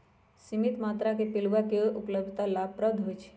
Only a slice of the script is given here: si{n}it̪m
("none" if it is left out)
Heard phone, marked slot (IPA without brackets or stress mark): m